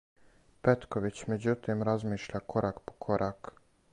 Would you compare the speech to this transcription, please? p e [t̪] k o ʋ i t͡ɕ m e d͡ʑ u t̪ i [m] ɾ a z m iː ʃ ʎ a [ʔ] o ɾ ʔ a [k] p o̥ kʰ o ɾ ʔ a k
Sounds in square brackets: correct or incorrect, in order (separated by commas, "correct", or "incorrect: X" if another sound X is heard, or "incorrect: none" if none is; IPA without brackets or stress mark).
correct, correct, incorrect: k, correct